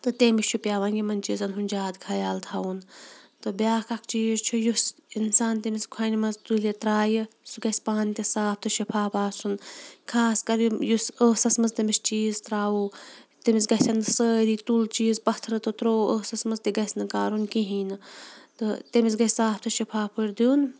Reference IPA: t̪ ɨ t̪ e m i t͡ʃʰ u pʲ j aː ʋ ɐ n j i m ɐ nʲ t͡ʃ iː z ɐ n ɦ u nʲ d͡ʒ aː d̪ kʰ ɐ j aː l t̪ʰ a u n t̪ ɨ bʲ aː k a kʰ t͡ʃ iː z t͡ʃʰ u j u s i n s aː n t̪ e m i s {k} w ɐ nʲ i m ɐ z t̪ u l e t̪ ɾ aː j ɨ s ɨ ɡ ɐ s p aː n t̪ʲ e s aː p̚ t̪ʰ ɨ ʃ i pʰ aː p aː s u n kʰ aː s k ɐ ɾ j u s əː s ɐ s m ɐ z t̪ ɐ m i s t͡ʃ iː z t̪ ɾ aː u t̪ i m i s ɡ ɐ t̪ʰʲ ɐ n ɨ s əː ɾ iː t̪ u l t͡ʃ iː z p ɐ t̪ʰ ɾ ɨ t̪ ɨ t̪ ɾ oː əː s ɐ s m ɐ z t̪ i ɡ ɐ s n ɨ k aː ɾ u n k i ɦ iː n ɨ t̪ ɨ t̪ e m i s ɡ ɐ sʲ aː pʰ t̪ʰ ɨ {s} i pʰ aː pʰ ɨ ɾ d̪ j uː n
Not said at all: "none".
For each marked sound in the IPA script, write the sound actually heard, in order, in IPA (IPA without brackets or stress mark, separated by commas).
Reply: kʰ, ʃ